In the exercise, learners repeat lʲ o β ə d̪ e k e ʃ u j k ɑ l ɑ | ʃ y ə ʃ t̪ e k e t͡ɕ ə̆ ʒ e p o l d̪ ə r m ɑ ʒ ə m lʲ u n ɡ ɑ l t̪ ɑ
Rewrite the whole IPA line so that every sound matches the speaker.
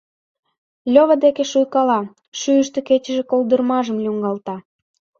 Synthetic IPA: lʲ o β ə d̪ e k e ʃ u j k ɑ l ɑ | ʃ y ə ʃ t̪ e k e t͡ɕ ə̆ ʒ e k o l d̪ ə r m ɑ ʒ ə m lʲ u ŋ ɡ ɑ l t̪ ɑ